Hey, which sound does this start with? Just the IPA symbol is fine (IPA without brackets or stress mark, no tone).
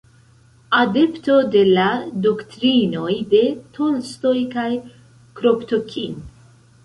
a